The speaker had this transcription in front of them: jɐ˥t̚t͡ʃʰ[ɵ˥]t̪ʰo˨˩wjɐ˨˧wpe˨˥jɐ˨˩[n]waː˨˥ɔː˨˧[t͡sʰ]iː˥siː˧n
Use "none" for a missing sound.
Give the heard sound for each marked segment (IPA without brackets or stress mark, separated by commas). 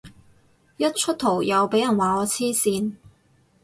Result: ɵ˥, n, t͡sʰ